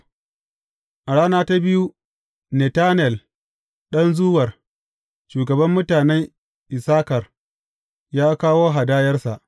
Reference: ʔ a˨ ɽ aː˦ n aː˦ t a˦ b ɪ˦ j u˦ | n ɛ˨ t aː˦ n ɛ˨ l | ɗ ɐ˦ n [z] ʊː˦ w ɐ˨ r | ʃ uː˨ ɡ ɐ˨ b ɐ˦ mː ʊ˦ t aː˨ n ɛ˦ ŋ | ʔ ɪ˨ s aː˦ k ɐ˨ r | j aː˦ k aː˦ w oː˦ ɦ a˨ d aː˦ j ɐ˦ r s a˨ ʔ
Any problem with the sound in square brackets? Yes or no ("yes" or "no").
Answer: no